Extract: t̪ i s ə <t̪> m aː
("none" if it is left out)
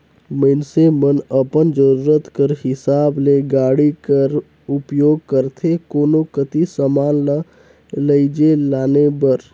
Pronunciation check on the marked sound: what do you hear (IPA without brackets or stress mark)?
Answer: none